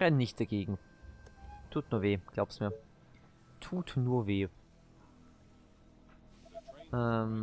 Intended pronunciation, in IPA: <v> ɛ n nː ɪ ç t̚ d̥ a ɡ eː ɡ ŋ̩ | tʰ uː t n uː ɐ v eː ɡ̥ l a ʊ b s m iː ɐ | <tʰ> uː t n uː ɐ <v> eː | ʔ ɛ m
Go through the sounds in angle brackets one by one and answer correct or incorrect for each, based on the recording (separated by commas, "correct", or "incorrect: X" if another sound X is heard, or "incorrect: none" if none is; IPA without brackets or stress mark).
incorrect: ʁ, correct, correct